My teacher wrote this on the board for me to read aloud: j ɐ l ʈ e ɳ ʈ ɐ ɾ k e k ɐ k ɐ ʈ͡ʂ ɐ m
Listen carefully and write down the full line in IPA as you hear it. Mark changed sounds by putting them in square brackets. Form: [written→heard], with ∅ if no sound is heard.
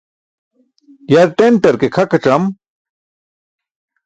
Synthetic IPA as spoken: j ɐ [l→ɾ] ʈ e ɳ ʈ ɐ ɾ k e [k→kʰ] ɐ k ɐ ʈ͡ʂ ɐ m

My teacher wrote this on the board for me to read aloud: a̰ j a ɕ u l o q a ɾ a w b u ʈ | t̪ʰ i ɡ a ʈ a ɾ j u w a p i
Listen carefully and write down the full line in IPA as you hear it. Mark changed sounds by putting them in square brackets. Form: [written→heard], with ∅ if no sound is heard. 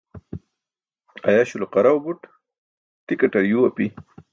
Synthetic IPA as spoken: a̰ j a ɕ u l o q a ɾ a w b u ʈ | [t̪ʰ→t̪] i [ɡ→k] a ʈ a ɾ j u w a p i

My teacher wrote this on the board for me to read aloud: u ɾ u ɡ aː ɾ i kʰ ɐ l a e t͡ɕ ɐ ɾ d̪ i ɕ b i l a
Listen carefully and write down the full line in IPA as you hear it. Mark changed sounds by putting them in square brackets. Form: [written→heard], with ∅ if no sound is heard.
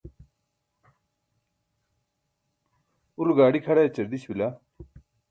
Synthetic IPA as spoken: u ɾ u ɡ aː [ɾ→ɽ] i kʰ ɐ [l→ɽ] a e t͡ɕ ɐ ɾ d̪ i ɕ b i l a

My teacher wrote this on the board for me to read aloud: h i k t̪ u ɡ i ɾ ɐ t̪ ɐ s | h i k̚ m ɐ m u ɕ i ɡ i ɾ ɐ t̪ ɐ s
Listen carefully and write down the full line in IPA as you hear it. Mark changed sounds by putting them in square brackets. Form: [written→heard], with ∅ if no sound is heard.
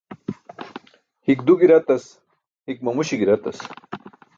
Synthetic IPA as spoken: h i k [t̪→d̪] u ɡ i ɾ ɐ t̪ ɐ s | h i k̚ m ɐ m u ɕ i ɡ i ɾ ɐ t̪ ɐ s

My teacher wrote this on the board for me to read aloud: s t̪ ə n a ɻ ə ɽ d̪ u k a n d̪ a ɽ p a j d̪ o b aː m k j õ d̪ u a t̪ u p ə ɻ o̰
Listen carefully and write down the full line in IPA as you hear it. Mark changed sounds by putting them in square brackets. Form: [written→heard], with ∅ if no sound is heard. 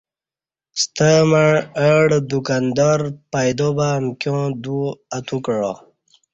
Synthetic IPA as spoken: s t̪ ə [n→m] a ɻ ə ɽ d̪ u k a n d̪ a [ɽ→ɾ] p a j d̪ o b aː m k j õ d̪ u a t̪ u [p→k] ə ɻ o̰

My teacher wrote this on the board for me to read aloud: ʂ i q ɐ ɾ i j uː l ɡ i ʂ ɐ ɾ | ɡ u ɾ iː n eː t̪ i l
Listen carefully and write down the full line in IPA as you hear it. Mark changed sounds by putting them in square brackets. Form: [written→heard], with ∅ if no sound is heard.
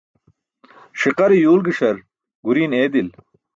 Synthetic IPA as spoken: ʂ i q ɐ ɾ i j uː l ɡ i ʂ ɐ ɾ | ɡ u ɾ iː n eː [t̪→d̪] i l

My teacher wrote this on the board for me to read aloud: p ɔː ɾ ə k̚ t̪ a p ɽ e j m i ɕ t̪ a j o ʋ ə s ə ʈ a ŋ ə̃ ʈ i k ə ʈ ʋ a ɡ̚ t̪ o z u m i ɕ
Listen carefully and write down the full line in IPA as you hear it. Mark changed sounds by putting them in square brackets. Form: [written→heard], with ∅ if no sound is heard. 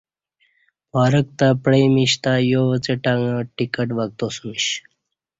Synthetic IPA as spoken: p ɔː ɾ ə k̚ t̪ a p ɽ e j m i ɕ t̪ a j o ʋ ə [s→t͡s] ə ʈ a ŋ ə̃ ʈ i k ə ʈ ʋ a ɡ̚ t̪ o [z→s] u m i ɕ

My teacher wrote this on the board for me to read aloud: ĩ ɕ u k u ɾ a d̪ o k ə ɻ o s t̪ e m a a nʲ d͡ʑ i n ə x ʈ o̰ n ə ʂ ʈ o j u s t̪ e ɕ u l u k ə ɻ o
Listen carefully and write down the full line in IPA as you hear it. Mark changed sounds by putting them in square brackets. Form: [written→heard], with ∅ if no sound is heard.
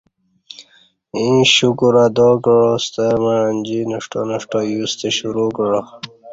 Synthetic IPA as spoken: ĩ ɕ u k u ɾ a d̪ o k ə ɻ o s t̪ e m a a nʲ d͡ʑ i n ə [x→ʂ] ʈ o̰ n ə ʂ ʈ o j u s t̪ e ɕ u [l→ɾ] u k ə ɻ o

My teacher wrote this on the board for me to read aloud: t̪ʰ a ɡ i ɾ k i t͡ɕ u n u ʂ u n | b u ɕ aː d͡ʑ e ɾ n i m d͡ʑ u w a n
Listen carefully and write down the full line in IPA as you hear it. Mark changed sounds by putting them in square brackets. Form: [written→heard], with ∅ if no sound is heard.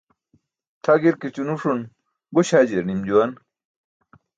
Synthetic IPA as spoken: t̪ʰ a ɡ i ɾ k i t͡ɕ u n u ʂ u n | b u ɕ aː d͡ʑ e ɾ n i m d͡ʑ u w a n

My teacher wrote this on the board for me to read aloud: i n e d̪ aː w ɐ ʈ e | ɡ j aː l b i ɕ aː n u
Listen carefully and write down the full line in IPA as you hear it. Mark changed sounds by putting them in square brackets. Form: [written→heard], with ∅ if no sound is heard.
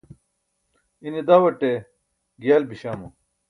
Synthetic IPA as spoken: i n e d̪ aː w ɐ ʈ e | ɡ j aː l b i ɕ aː [n→m] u

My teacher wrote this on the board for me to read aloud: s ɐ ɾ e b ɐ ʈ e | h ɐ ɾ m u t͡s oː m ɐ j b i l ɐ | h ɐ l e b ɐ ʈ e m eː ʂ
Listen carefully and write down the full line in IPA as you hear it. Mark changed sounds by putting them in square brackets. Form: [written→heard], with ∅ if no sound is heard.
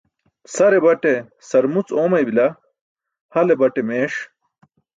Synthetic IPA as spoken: s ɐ ɾ e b ɐ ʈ e | [h→s] ɐ ɾ m u t͡s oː m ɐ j b i l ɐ | h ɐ l e b ɐ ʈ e m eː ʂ

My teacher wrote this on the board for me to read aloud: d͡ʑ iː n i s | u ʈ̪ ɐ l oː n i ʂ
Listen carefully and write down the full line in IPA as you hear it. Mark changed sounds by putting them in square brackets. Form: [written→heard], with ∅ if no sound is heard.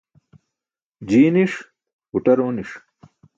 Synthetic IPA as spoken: d͡ʑ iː n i [s→ʂ] | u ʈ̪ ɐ [l→ɾ] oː n i ʂ

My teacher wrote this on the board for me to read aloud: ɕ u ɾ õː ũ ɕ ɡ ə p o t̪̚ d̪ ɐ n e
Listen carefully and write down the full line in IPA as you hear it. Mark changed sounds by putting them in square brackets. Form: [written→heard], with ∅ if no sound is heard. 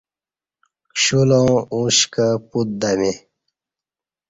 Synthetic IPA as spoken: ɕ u [ɾ→l] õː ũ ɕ [ɡ→k] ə p [o→u] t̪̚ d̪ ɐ [n→m] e

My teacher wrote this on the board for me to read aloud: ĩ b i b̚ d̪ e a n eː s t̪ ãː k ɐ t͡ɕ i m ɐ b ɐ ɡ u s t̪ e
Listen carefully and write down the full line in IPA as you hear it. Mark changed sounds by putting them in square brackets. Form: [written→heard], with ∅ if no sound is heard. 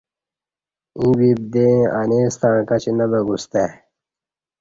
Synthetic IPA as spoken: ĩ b i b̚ d̪ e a n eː s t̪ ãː k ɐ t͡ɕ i [m→n] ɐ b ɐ ɡ u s t̪ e

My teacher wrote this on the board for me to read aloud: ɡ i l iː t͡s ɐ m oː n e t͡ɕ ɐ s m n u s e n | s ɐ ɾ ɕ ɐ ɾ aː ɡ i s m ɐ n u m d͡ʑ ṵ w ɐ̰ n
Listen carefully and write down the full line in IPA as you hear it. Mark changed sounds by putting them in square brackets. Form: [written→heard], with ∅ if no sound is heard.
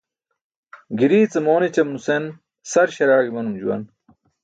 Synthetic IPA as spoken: ɡ i [l→ɾ] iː t͡s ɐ m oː n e t͡ɕ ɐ [s→∅] m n u s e n | s ɐ ɾ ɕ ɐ ɾ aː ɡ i [s→∅] m ɐ n u m d͡ʑ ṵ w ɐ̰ n

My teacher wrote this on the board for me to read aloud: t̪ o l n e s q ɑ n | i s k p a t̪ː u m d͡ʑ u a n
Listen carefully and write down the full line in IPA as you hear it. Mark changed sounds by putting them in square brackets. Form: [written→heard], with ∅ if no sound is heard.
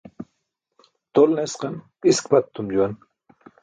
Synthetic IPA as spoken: t̪ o l n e s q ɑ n | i s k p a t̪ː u m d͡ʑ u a n

